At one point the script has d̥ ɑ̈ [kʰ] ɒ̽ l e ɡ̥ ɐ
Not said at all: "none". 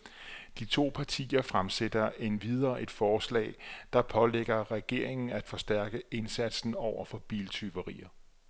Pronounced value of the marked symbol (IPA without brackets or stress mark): pʰ